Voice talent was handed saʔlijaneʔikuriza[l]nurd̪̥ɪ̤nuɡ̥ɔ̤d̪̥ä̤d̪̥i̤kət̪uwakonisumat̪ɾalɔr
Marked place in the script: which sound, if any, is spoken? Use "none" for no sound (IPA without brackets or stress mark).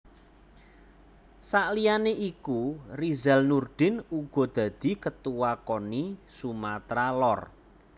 l